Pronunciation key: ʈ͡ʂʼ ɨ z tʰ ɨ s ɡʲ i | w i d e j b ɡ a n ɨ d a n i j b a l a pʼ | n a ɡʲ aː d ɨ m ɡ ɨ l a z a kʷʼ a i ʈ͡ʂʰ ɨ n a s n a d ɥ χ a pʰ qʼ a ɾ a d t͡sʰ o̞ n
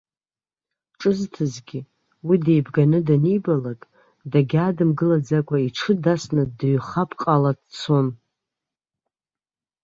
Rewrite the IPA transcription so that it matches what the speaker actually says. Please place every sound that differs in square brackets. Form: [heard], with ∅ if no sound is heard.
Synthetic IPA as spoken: ʈ͡ʂʼ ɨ z tʰ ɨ [z] ɡʲ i | w i d e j b ɡ a n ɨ d a n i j b a l a [kʼ] | [d] a ɡʲ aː d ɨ m ɡ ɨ l a [d͡z] a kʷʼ a i ʈ͡ʂʰ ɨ [d] a s n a d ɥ χ a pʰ qʼ a [l] a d t͡sʰ o̞ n